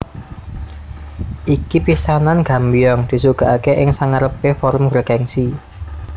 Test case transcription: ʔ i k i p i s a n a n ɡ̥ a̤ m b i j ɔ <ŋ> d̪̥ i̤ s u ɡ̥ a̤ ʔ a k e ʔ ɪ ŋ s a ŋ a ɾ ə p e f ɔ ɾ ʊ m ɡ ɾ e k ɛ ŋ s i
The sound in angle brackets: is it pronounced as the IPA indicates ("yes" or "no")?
yes